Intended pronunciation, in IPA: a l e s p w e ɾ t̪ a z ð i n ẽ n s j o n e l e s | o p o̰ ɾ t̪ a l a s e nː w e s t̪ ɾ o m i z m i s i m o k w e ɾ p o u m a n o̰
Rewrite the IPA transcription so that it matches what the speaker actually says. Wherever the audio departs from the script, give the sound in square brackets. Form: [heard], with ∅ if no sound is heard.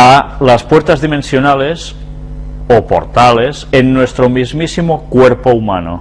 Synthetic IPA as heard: a l [a] s p w e ɾ t̪ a z ð i [m] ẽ n s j o n [a] l e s | o p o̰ ɾ t̪ a l [e] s e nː w e s t̪ ɾ o m i z m i s i m o k w e ɾ p o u m a n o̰